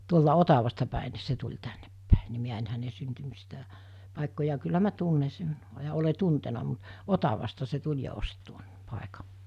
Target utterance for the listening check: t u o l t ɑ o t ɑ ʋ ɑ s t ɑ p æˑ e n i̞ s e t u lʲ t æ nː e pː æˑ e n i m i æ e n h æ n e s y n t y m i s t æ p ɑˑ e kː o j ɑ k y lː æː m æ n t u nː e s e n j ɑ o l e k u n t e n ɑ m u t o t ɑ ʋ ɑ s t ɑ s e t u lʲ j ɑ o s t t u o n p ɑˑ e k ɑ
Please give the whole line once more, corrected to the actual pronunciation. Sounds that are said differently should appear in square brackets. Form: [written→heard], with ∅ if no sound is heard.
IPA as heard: t u o l t ɑ o t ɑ ʋ ɑ s t ɑ p æˑ e n i̞ s e t u lʲ t æ nː e pː æˑ e n i m i æ e n h æ n e s y n t y m i s t æ p ɑˑ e kː o j ɑ k y lː [æː→æ] m æ [n→∅] t u nː e s e n j ɑ o l e [k→t] u n t e n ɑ m u t o t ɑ ʋ ɑ s t ɑ s e t u lʲ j ɑ o s t t u o n p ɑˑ e k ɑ